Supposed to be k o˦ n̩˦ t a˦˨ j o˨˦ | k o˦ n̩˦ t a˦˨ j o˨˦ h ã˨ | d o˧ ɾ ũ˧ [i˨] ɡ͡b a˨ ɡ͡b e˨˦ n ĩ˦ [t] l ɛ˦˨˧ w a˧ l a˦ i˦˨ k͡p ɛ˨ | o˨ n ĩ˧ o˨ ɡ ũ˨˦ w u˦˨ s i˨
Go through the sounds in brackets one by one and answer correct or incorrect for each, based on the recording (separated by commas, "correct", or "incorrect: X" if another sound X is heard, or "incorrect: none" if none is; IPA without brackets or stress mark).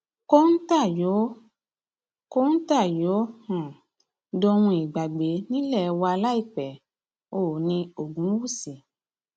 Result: correct, incorrect: none